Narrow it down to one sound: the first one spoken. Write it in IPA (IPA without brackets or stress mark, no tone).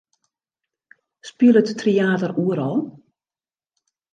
s